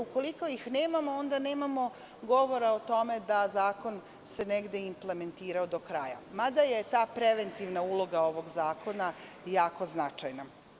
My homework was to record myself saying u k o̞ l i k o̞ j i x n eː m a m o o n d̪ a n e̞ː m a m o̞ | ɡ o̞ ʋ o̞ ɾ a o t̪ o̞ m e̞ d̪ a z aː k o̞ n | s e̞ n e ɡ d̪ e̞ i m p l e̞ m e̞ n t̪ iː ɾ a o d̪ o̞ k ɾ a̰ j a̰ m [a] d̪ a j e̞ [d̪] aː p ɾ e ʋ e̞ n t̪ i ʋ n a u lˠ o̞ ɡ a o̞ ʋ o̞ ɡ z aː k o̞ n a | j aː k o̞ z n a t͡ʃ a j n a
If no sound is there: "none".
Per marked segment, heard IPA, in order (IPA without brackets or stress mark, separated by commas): a, t̪